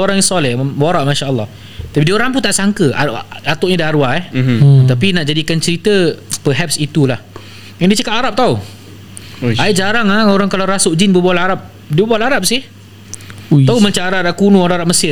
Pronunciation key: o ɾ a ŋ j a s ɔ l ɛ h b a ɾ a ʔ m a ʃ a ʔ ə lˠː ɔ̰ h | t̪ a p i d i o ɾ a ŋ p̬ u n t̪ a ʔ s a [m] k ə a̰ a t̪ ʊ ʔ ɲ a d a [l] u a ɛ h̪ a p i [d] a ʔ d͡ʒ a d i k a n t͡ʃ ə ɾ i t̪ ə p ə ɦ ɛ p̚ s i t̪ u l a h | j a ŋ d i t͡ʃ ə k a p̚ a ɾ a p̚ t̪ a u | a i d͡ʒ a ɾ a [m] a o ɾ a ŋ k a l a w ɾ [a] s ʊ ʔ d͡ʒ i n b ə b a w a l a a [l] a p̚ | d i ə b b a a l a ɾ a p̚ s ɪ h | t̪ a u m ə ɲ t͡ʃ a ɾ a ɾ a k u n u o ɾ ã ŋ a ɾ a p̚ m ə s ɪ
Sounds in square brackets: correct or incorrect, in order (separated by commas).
incorrect, incorrect, incorrect, incorrect, correct, incorrect